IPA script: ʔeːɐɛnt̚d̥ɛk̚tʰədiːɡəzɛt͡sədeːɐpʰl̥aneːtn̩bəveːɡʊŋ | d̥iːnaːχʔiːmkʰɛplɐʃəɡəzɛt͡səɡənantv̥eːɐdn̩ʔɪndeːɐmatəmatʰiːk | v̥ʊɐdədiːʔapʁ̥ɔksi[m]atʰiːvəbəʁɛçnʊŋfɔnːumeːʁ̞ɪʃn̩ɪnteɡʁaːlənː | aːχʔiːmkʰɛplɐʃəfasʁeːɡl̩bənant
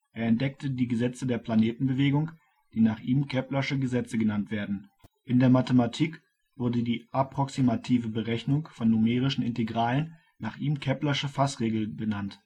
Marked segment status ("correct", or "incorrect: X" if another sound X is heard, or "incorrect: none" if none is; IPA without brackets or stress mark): correct